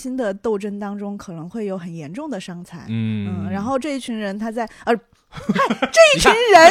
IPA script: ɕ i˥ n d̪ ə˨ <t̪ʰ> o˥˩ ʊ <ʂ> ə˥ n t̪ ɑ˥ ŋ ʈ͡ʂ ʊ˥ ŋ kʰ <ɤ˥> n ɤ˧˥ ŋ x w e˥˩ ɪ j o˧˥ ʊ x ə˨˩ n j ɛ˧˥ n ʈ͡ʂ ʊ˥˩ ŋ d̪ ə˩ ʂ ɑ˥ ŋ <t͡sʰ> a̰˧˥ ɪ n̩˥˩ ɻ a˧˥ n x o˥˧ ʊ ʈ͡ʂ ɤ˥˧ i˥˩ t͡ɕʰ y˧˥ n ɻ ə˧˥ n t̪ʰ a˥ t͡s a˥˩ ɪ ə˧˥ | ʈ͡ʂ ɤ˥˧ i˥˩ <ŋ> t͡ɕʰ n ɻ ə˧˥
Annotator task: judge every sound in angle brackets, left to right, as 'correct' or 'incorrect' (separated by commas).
incorrect, incorrect, incorrect, correct, incorrect